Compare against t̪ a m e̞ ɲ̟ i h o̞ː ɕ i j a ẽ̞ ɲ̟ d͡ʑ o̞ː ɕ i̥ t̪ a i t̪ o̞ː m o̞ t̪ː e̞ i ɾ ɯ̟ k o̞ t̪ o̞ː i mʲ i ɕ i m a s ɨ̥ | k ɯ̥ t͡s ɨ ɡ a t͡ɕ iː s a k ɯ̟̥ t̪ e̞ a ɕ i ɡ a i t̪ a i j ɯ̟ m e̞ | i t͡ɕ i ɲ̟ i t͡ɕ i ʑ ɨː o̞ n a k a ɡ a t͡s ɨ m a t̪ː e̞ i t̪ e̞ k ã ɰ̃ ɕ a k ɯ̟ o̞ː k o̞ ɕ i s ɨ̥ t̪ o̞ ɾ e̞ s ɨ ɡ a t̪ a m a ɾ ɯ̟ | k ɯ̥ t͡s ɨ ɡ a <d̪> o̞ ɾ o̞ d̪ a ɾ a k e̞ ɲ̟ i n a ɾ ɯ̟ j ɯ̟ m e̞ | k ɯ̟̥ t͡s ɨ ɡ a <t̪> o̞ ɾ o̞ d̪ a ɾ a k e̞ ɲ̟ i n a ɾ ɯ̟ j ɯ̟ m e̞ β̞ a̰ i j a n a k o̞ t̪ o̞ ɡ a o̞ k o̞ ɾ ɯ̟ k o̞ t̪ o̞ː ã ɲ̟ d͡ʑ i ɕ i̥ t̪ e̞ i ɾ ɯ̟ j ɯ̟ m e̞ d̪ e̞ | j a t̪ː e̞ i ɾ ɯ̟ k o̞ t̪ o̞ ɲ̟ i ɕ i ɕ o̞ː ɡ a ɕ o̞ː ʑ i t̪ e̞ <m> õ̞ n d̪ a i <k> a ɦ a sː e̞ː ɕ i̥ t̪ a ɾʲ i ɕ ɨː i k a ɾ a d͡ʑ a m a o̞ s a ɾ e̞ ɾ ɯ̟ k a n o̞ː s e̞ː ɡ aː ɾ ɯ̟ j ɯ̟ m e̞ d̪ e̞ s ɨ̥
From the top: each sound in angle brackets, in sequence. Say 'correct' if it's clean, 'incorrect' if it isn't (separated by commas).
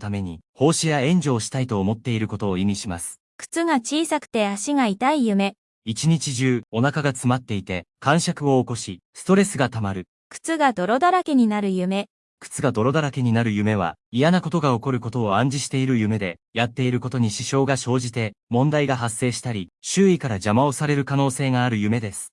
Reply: correct, incorrect, correct, incorrect